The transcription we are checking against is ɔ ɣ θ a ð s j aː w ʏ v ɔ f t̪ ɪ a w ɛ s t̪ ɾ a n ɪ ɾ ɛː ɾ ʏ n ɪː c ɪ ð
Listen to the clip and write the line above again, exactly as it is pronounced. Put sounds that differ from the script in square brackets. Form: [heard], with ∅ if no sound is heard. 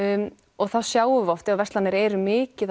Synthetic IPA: ɔ ɣ θ a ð s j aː w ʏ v ɔ f t̪ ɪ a [v] ɛ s t̪ [l] a n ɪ ɾ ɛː ɾ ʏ [m] ɪː c ɪ ð

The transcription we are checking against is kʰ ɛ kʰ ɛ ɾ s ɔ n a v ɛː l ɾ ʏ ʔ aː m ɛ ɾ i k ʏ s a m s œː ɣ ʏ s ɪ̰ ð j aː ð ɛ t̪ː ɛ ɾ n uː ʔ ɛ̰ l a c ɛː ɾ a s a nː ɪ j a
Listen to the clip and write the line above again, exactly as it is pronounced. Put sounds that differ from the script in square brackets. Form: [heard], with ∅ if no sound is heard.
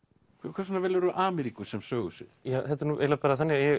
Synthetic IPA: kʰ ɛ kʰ ɛ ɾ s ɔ n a v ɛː l ɾ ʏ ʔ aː m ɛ ɾ i k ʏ s [ɛ] m s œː ɣ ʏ s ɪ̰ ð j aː [θ] ɛ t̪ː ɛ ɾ n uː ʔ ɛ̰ l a [p] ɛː ɾ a [θ] a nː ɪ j [ɛ]

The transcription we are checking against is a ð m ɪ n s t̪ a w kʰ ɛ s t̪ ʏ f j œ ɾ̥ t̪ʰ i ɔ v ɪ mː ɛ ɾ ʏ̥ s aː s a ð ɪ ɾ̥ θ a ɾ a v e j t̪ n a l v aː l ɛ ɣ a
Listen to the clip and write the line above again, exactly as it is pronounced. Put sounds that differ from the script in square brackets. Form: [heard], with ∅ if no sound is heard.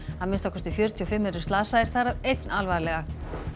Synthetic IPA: a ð m ɪ n s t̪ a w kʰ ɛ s t̪ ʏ f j œ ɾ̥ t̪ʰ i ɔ [f] ɪ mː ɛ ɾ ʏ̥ s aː s a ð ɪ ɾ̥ θ a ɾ a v e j t̪ n a l v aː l ɛ ɣ a

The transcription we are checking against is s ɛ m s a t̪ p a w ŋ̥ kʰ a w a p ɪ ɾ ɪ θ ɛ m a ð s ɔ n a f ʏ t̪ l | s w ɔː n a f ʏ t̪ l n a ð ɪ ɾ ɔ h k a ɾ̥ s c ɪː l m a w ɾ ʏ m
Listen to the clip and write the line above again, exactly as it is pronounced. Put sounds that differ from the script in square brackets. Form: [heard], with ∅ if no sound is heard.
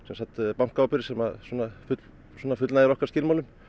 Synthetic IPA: s ɛ m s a t̪ p a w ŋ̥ [k] a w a p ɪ ɾ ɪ [s] ɛ m a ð s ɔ n a f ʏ t̪ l | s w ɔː n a f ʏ t̪ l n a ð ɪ ɾ ɔ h k a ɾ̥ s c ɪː l m a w [l] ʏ m

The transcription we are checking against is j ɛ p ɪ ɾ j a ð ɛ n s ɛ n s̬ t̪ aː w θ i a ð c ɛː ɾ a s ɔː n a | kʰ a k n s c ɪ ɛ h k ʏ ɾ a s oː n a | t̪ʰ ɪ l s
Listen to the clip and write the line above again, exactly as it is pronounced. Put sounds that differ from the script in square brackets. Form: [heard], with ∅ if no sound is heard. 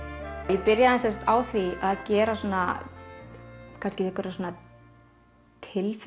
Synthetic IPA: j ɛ p ɪ ɾ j a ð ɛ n s ɛ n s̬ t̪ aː w θ i a ð c ɛː ɾ a s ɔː n a | kʰ a [∅] n s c ɪ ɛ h k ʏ ɾ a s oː n a | t̪ʰ ɪ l [f]

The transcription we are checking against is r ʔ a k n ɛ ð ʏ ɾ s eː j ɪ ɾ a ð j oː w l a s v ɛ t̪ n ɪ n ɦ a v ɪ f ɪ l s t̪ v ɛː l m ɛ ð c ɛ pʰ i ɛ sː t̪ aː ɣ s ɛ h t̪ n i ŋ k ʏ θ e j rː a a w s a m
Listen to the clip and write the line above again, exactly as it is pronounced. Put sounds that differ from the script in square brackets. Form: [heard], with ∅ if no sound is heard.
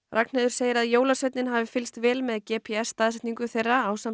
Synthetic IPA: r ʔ a k n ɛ ð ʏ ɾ s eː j ɪ ɾ a ð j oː w l a s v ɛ t̪ n ɪ n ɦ a v ɪ f ɪ l s t̪ v ɛː l m ɛ ð c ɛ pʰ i ɛ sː t̪ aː [ð] s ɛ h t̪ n i ŋ k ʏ θ e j rː a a w s a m

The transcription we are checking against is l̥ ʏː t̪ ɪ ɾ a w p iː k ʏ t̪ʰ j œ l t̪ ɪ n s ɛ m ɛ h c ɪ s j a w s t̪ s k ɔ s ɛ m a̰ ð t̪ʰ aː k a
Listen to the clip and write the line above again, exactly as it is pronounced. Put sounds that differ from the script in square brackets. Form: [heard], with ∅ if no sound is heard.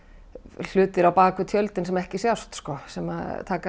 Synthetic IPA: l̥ ʏː t̪ ɪ ɾ a w p [aː] k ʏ t̪ʰ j œ l t̪ ɪ n s ɛ m ɛ h c ɪ s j a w s t̪ s k ɔ s ɛ m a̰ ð t̪ʰ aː k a

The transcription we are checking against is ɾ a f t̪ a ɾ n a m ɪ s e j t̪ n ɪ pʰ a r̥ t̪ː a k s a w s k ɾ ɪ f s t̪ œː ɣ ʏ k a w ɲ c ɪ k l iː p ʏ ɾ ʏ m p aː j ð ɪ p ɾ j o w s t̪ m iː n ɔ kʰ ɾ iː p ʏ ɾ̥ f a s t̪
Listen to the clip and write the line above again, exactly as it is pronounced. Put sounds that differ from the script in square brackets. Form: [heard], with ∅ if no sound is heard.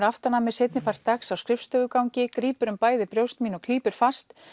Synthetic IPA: ɾ a f t̪ a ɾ n a m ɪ s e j t̪ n ɪ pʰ a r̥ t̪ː a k s a w s k ɾ ɪ f s t̪ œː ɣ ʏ k a w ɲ c ɪ k [ɾ] iː p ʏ ɾ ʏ m p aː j ð ɪ p ɾ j o w s t̪ m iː n ɔ kʰ [l] iː p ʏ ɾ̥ f a s t̪

